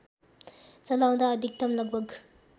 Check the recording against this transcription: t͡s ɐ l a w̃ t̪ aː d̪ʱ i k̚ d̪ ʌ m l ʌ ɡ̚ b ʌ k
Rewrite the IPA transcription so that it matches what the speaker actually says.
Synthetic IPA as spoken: t͡s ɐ l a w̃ d̪ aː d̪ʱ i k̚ t̪ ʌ m l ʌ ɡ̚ b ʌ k